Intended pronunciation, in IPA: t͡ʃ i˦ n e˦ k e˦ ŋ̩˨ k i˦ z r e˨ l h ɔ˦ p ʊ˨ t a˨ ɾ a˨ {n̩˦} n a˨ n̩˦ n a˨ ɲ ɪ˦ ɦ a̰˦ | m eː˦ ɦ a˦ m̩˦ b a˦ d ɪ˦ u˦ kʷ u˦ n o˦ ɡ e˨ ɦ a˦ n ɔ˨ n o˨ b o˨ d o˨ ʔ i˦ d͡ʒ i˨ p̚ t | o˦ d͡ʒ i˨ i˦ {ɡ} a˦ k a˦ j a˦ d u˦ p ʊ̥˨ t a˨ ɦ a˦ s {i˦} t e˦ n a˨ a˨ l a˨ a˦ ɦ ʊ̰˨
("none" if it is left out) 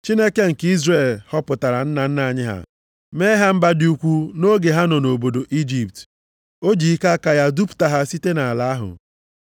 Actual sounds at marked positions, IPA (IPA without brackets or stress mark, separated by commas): n̩˦, k, i˦